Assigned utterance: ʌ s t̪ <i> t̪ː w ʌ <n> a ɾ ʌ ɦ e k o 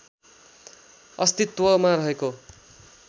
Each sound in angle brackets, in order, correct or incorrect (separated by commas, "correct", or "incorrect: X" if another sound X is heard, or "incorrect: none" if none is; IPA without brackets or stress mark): correct, incorrect: m